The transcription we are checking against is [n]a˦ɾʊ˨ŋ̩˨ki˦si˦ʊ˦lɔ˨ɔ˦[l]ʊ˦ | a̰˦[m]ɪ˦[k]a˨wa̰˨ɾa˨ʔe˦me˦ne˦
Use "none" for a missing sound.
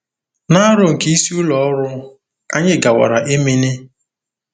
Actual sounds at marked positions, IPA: n, ɾ, ɲ, ɡ

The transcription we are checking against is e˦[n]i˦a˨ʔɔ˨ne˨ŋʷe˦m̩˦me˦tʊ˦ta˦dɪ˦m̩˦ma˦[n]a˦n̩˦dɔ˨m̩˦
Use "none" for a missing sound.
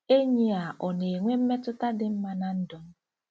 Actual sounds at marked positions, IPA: ɲ, n

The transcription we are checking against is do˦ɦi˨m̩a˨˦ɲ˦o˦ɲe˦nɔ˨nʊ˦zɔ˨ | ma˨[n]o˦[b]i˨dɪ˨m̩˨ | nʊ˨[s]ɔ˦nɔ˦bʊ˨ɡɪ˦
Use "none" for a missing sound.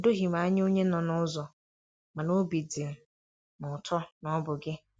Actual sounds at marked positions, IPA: n, b, t

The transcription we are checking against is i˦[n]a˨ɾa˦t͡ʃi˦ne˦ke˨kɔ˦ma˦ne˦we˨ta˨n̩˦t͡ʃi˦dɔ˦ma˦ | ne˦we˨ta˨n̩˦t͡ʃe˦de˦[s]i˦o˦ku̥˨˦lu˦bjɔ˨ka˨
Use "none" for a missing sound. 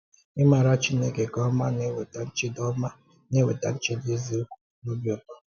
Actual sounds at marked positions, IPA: m, z

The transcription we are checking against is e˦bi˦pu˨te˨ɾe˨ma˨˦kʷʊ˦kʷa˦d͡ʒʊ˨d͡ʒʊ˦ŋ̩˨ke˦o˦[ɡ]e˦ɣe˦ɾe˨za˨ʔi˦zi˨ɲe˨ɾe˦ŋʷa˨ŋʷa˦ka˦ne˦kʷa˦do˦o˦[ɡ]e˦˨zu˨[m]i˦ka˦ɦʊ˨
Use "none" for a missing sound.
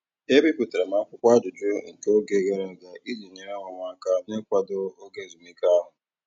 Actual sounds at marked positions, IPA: ɡ, ɡ, m

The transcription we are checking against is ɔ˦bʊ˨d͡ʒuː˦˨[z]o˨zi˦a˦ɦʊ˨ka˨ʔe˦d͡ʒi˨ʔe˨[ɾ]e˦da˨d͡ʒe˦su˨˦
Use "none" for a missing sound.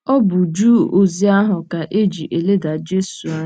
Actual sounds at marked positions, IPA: none, l

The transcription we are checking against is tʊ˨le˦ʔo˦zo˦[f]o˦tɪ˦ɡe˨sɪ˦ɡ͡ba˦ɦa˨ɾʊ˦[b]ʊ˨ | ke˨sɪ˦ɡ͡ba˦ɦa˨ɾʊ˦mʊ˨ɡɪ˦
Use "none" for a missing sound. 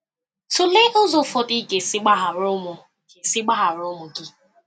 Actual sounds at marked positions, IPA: f, m

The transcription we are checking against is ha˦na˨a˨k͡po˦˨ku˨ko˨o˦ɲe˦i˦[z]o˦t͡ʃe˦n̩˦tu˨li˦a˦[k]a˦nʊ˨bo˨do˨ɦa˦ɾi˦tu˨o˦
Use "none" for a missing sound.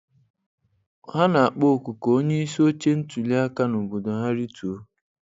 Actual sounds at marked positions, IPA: s, k

